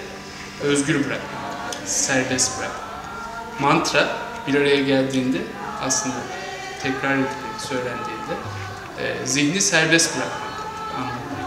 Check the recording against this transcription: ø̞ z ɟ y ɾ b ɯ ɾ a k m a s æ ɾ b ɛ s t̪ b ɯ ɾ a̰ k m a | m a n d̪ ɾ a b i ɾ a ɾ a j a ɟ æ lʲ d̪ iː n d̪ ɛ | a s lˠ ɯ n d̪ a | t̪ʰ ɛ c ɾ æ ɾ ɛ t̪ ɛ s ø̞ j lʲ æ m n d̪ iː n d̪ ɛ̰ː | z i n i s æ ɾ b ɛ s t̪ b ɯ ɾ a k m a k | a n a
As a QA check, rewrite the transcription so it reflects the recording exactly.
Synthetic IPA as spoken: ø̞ z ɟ y ɾ b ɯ ɾ a k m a s æ ɾ b ɛ s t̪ b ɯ ɾ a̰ k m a | m a n t̪ ɾ a b i ɾ a ɾ a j a ɟ æ lʲ d̪ iː n d̪ ɛ | a s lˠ ɯ n d̪ a | t̪ʰ ɛ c ɾ a ɾ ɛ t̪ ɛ s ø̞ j lʲ æ n d̪ iː n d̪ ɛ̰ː | z i n i s æ ɾ b ɛ s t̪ b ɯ ɾ a k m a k | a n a